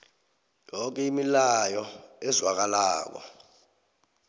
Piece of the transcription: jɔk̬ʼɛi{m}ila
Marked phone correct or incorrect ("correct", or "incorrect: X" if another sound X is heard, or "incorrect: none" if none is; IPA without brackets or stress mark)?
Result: correct